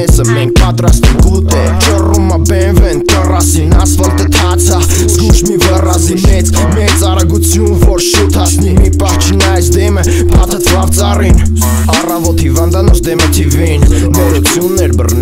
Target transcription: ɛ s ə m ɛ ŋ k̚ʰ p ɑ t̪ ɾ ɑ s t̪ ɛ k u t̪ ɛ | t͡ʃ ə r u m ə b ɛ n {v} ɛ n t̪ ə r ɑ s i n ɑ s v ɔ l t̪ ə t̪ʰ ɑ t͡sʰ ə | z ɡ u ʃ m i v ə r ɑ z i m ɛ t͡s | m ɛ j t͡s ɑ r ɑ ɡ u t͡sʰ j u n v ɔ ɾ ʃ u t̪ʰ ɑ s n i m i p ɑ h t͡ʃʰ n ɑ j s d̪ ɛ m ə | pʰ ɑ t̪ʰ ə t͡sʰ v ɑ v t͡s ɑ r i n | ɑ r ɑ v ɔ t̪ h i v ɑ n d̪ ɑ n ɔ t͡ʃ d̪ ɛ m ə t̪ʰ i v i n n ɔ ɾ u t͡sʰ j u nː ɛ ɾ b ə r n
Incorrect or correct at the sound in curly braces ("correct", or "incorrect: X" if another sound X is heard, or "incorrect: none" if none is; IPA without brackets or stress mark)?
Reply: correct